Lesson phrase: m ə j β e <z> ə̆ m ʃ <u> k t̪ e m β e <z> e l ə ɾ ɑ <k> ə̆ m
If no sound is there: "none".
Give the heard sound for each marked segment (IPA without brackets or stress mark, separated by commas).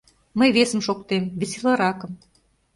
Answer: s, o, s, k